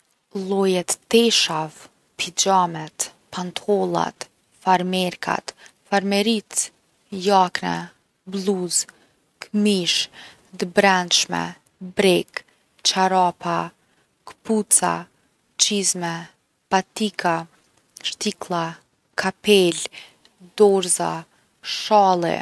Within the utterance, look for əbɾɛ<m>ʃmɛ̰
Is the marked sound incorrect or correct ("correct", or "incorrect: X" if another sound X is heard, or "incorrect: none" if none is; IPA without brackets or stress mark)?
incorrect: n